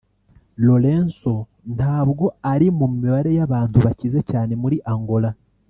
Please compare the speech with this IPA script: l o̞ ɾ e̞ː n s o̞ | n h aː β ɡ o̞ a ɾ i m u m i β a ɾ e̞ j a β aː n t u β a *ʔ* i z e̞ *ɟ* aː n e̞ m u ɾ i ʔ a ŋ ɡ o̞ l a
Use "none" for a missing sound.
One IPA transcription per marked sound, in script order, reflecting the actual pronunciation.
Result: c, c

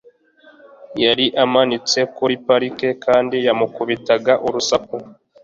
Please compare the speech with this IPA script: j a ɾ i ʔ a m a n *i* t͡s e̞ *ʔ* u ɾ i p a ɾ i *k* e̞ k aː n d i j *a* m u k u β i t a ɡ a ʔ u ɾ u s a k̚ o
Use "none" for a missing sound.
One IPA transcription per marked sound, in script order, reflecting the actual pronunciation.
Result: i, k, k, a

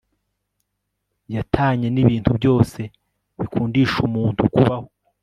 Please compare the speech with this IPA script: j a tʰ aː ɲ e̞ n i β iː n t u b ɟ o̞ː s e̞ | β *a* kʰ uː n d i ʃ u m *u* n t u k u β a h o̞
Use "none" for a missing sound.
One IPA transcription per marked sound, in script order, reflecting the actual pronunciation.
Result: i, uː

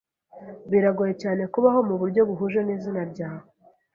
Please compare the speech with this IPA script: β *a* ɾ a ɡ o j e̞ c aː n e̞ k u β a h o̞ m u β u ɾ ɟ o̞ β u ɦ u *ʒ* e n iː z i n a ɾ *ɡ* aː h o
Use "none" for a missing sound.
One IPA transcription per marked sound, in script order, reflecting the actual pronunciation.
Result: i, ʒ, ɟ

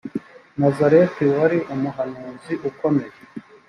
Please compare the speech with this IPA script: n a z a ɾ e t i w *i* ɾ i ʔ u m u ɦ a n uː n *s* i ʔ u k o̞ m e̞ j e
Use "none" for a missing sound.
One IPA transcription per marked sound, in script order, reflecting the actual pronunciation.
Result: a, z

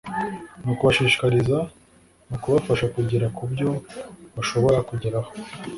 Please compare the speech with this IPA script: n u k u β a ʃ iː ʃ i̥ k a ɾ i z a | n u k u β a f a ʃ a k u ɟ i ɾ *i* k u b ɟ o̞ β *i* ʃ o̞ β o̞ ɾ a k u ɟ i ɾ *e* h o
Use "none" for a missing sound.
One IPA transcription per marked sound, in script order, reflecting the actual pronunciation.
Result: a, a, a

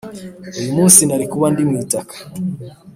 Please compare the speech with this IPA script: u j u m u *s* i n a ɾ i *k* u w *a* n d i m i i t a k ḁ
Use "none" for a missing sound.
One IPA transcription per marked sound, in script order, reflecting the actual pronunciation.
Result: s, k, a

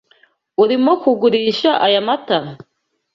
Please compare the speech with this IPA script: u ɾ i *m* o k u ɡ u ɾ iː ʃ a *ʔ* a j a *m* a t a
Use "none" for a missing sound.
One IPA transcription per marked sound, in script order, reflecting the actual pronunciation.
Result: m, ʔ, m

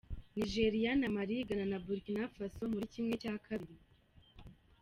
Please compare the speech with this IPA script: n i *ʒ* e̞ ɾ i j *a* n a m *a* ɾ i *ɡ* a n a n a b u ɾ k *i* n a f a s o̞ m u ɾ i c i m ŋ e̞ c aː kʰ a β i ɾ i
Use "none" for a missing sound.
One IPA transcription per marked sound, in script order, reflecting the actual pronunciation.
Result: ʒ, a, a, ɡ, i

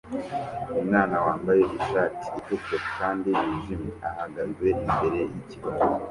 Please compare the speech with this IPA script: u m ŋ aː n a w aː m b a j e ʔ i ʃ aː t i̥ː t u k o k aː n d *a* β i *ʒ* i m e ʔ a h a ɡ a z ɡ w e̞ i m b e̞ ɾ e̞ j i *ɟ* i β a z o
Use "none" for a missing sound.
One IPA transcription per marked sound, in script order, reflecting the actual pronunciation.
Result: i, ʒ, c

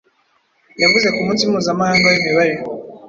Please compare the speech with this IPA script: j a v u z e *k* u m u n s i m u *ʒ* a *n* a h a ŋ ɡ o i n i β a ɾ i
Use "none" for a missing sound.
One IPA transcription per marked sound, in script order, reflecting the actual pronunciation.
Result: k, z, m

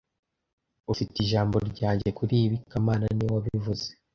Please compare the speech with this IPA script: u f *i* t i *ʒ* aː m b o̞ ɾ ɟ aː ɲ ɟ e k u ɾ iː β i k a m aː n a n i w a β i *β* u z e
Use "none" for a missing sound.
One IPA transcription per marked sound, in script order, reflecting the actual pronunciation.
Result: i, ʒ, v

